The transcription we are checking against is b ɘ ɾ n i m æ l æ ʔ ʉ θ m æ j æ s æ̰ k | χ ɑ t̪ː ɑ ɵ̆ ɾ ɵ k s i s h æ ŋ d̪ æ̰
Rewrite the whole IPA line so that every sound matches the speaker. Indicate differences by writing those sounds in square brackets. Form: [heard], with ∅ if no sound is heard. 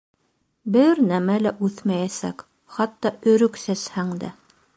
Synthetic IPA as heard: b ɘ ɾ n [æ] m æ l æ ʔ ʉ θ m æ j æ s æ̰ k | χ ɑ t̪ː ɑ ɵ̆ ɾ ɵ k s [æ] s h æ ŋ d̪ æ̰